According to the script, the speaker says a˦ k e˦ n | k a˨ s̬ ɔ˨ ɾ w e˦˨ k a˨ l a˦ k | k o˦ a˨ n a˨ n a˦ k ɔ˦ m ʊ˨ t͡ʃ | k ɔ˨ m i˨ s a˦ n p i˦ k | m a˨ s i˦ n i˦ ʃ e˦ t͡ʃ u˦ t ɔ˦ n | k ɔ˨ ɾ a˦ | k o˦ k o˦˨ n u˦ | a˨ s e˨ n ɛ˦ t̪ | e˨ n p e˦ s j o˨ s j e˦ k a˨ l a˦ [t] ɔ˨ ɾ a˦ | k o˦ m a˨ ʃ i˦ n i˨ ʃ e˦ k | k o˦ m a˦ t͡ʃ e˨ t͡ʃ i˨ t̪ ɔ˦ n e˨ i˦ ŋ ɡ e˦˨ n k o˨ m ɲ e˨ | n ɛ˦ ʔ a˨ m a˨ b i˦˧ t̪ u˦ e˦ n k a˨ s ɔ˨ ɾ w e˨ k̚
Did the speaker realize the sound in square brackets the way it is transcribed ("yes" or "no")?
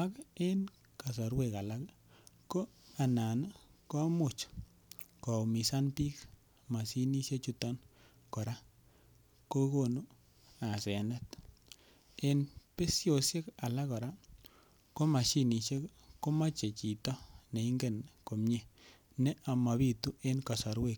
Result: no